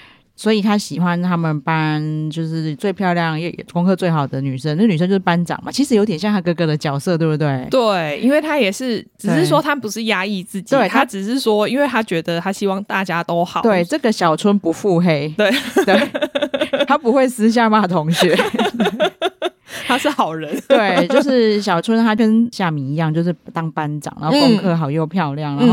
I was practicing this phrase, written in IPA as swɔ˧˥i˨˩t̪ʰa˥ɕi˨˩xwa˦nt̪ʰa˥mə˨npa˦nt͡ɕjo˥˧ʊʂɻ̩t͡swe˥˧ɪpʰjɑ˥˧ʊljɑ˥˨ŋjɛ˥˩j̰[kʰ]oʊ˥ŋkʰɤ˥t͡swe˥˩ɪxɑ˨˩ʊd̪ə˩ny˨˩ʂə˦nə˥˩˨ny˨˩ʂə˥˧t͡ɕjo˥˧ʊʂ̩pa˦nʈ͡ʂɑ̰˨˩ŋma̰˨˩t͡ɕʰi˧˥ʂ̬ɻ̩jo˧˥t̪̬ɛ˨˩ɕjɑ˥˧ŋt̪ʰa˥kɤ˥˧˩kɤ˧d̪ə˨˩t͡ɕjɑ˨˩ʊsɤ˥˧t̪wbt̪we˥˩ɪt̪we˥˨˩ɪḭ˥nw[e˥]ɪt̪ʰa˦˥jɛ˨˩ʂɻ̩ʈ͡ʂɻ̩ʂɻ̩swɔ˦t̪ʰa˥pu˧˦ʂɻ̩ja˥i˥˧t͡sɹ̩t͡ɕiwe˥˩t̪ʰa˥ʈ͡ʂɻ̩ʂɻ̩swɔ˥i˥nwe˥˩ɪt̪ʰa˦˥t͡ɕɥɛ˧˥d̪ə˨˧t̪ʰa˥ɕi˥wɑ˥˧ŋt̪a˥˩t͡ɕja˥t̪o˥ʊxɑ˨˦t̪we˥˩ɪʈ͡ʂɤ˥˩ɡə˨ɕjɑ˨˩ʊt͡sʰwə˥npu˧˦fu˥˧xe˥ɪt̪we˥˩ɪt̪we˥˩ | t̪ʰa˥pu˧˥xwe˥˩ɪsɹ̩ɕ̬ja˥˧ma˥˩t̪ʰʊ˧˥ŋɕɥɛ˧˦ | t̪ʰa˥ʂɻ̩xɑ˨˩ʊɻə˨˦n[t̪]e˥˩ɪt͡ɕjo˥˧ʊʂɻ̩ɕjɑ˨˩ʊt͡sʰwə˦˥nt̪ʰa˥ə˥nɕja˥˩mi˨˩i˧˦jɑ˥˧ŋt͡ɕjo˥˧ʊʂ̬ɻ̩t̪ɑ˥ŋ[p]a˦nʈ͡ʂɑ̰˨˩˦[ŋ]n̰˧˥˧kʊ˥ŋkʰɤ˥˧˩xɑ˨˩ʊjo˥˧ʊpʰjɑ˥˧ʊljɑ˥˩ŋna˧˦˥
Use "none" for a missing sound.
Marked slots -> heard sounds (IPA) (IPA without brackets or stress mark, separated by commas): k, e˥˩, t̪, p, ŋ